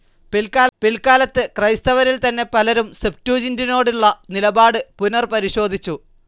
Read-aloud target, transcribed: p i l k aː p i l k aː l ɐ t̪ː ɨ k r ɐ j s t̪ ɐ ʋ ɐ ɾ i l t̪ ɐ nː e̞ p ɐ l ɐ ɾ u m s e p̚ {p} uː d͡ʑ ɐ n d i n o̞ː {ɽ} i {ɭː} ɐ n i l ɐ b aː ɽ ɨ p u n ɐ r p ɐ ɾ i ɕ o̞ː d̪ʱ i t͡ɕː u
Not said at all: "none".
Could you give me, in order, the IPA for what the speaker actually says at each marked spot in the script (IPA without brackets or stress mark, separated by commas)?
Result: t, ɽ, ɭː